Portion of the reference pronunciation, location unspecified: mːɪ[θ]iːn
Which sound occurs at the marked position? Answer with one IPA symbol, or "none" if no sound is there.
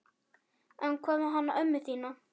θ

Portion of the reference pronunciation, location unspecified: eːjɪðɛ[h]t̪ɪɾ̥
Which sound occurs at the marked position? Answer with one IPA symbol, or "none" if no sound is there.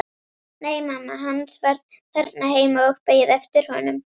f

